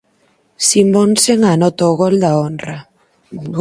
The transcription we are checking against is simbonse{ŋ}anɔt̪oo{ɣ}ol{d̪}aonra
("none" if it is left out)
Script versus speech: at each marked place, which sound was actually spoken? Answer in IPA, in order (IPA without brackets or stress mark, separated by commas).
ŋ, ɣ, d̪